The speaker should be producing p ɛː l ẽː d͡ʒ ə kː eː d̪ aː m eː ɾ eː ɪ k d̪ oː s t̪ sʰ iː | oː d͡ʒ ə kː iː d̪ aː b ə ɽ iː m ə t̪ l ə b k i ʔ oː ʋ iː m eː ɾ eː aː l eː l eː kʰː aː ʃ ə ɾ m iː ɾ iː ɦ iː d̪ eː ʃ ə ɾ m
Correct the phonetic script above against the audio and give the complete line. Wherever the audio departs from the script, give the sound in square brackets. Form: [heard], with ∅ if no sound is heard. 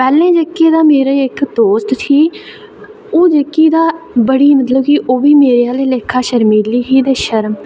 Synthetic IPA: p ɛː l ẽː d͡ʒ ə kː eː d̪ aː m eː ɾ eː ɪ k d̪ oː s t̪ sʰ iː | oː d͡ʒ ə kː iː d̪ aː b ə ɽ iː m ə t̪ l ə b k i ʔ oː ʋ iː m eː ɾ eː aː l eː l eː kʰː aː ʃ ə ɾ m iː [l] iː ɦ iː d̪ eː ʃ ə ɾ m